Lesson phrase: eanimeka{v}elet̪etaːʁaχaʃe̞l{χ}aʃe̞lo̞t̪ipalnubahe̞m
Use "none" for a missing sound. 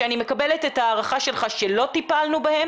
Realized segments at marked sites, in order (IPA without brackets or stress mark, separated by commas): b, χ